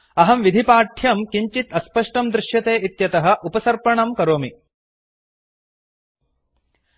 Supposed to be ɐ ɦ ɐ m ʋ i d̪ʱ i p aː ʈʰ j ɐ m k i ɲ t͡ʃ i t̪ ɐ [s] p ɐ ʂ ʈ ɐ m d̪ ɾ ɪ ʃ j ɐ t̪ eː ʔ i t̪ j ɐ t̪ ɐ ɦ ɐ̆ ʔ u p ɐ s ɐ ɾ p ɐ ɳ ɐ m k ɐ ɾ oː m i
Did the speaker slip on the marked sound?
no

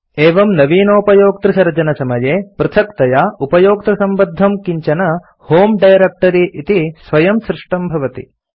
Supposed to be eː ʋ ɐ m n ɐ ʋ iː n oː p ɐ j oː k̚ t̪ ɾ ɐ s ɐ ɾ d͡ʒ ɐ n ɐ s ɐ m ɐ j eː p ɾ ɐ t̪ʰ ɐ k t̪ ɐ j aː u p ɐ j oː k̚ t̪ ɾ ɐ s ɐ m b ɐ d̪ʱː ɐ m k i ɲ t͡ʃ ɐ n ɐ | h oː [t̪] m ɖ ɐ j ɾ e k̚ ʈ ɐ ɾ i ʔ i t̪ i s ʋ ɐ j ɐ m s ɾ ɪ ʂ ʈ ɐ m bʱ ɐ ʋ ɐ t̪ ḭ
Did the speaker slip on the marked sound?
yes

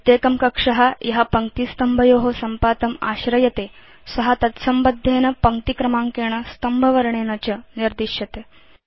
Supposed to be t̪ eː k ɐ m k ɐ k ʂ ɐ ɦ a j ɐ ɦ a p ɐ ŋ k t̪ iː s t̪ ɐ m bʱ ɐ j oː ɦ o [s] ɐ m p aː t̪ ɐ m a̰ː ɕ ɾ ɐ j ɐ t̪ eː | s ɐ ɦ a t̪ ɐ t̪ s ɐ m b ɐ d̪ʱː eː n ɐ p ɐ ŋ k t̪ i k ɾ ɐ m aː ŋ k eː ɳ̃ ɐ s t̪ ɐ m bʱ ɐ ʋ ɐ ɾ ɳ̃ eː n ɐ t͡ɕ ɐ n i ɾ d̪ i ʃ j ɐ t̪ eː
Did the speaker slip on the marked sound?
no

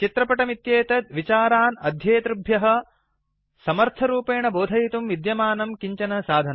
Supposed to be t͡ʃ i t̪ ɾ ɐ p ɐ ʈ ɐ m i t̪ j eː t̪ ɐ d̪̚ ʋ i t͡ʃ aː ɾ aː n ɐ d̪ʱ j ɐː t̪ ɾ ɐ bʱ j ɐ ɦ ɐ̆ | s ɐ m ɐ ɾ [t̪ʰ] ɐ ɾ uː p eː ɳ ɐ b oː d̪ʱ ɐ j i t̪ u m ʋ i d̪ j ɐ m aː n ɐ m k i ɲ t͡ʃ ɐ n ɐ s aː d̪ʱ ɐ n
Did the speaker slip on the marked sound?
no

